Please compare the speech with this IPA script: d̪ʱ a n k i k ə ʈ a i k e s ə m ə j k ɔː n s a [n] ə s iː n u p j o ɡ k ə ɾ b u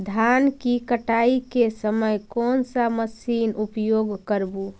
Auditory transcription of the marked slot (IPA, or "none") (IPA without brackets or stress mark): m